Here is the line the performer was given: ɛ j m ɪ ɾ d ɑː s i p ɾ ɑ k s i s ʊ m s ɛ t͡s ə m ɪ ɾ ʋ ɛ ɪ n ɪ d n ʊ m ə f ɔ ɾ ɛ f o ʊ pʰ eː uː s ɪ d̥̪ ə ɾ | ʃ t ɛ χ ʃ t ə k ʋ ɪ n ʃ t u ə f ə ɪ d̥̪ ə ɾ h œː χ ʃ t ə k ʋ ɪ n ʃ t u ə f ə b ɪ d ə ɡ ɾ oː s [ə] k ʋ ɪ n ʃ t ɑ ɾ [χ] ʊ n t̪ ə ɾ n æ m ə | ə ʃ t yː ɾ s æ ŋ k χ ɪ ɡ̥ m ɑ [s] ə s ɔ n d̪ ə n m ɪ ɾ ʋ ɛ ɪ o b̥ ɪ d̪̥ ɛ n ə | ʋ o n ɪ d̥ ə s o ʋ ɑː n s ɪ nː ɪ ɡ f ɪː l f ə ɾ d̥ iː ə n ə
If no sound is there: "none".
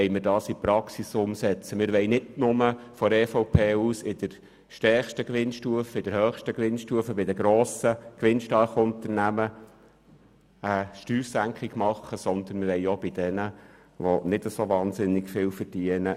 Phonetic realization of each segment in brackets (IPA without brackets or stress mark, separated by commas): ə, χ, χ